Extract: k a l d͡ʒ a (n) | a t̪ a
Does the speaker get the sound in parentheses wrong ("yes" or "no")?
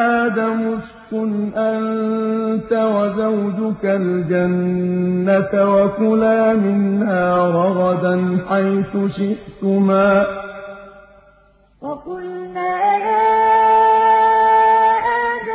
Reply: yes